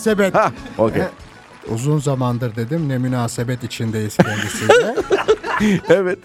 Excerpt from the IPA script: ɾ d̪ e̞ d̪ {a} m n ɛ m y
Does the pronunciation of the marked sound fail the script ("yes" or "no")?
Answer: yes